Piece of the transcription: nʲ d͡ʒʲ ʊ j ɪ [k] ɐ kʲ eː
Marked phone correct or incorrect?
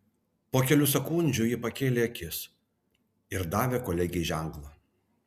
incorrect